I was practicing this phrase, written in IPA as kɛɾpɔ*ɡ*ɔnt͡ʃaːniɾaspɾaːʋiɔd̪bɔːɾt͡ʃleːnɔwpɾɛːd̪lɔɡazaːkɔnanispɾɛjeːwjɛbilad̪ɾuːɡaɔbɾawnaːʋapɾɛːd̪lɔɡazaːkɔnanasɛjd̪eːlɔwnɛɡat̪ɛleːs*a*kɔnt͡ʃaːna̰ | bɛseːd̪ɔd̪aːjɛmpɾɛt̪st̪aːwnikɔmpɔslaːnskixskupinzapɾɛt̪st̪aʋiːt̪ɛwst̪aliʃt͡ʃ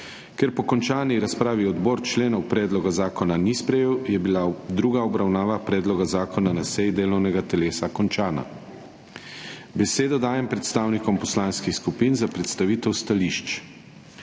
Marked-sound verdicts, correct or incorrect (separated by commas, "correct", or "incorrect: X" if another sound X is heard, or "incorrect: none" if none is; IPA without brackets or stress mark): incorrect: k, correct